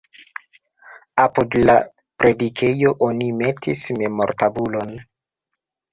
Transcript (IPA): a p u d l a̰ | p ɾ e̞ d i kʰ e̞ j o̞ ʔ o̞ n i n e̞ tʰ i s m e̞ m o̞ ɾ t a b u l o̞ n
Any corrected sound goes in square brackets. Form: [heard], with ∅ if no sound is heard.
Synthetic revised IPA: a p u d l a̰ | p ɾ e̞ d i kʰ e̞ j o̞ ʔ o̞ n i [m] e̞ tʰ i s m e̞ m o̞ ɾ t a b u l o̞ n